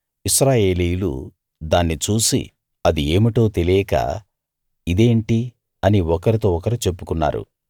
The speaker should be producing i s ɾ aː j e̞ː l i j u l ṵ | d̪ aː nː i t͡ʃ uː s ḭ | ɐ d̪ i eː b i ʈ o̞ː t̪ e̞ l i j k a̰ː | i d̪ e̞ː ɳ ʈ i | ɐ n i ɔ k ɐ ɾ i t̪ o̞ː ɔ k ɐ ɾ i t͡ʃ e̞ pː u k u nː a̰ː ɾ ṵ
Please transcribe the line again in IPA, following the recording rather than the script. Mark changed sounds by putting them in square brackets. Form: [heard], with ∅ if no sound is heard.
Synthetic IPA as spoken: i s ɾ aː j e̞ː l i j u l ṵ | d̪ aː nː i t͡ʃ uː s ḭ | ɐ d̪ i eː [m] i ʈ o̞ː t̪ e̞ l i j k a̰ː | i d̪ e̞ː ɳ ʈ i | ɐ n i ɔ k ɐ ɾ i t̪ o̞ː ɔ k ɐ ɾ i t͡ʃ e̞ pː u k u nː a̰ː ɾ ṵ